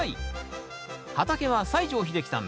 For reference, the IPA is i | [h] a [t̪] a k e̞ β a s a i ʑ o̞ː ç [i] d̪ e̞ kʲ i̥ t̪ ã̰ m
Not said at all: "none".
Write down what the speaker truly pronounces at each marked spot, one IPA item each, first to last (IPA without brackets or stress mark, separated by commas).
h, t̪, i